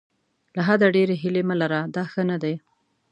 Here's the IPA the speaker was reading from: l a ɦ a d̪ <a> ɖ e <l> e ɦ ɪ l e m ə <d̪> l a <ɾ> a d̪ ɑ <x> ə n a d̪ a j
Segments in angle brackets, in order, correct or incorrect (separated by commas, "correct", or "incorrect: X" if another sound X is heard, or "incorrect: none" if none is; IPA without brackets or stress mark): correct, incorrect: ɾ, incorrect: none, correct, correct